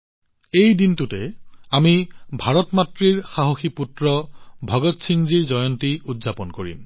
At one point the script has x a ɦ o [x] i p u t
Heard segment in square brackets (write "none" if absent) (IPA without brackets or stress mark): x